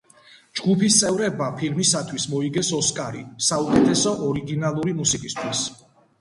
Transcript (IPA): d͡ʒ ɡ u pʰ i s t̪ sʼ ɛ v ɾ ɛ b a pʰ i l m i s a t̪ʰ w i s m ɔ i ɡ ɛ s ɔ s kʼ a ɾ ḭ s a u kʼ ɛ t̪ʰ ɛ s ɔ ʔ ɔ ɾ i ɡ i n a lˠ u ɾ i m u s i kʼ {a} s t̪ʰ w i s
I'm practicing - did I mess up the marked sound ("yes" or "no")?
yes